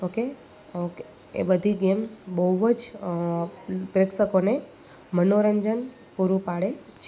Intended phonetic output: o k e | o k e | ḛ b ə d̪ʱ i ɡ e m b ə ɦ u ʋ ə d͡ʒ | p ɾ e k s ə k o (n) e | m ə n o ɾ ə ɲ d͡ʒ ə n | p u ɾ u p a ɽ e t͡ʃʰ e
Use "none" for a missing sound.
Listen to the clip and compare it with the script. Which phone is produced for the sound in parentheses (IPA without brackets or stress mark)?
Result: n